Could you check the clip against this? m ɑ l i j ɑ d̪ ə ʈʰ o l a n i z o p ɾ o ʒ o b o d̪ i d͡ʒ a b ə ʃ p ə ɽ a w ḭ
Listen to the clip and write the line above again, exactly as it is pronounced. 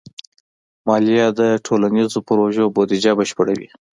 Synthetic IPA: m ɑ l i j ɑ d̪ ə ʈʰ o l a n i z o p ɾ o ʒ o b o d̪ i d͡ʒ a b ə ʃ p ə ɽ a w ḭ